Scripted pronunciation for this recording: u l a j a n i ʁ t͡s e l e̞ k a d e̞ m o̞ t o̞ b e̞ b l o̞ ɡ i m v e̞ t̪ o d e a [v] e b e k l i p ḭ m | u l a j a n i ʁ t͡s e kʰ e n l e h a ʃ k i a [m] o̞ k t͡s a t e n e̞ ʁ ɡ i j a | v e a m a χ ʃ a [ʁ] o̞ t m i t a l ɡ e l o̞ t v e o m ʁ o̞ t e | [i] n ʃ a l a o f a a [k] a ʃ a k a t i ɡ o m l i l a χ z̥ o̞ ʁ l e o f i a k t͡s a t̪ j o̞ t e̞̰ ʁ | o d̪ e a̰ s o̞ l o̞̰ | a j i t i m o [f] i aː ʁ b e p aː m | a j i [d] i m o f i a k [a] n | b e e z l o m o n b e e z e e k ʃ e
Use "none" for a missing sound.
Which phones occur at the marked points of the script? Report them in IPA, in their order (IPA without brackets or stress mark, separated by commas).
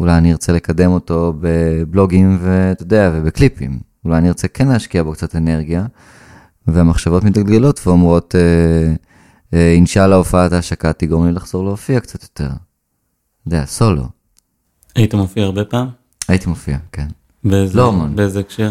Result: v, b, v, i, t, f, t, e